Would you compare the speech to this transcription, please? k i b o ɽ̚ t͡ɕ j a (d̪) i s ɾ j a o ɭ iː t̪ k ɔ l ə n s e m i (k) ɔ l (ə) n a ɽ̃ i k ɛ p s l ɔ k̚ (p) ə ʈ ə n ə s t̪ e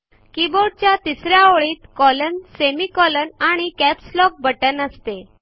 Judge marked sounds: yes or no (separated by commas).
no, yes, yes, no